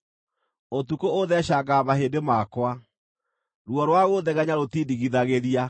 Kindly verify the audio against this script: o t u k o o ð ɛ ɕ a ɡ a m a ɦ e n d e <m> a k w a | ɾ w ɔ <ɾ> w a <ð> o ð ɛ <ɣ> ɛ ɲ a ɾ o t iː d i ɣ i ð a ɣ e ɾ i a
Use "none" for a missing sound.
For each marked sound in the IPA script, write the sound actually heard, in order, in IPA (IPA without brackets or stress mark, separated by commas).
m, ɾ, ɣ, ɣ